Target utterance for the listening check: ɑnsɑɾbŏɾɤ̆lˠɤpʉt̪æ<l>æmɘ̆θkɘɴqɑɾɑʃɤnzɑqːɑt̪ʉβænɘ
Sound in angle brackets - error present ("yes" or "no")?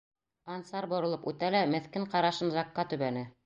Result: no